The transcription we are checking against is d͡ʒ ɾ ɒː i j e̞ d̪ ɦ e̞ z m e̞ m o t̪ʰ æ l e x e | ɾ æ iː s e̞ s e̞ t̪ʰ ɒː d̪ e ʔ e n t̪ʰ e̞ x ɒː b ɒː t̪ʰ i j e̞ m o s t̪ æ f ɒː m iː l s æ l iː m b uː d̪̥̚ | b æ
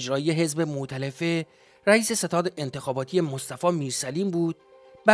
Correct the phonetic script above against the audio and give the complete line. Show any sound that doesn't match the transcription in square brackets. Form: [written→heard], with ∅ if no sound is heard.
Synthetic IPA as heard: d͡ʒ ɾ ɒː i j e̞ [d̪→∅] ɦ e̞ z [m→b] e̞ m o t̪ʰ æ l e [x→f] e | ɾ æ iː s e̞ s e̞ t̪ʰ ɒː d̪ e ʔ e n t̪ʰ e̞ x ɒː b ɒː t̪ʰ i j e̞ m o s t̪ æ f ɒː m iː [l→ɾ] s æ l iː m b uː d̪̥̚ | b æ